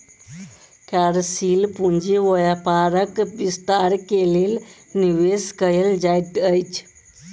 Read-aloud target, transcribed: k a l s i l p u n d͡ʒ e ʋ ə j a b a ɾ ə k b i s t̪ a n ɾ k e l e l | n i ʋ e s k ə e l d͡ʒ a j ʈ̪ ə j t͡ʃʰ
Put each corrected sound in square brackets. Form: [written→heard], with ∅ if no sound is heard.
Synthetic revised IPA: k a [l→ɾ] s i l p u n d͡ʒ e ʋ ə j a [b→p] a ɾ ə k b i s t̪ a [n→∅] ɾ k e l e l | n i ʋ e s k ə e l d͡ʒ a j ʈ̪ ə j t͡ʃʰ